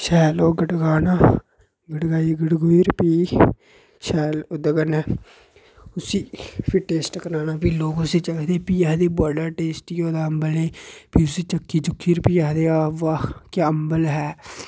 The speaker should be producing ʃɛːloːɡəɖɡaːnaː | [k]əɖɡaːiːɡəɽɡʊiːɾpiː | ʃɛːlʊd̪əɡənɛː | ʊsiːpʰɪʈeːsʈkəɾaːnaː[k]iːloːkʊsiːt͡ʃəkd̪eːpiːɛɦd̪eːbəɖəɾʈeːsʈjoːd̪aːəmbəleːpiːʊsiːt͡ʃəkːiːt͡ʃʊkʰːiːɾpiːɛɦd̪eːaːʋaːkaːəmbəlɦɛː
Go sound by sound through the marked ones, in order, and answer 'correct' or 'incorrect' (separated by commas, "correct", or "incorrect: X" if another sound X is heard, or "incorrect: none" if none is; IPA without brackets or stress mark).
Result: incorrect: ɡ, incorrect: p